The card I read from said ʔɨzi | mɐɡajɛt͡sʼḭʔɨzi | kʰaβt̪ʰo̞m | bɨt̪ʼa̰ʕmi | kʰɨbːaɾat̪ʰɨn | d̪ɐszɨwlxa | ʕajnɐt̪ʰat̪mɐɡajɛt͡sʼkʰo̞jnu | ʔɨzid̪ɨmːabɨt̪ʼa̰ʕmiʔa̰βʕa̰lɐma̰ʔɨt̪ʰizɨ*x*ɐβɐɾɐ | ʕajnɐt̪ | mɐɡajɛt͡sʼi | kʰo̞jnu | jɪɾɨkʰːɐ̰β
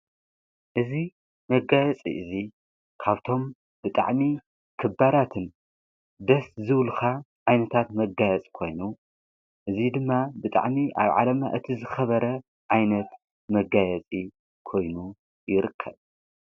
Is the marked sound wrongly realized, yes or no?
no